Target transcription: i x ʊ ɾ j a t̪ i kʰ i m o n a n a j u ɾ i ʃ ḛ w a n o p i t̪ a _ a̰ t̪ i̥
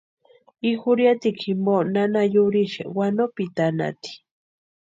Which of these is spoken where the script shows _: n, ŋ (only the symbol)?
n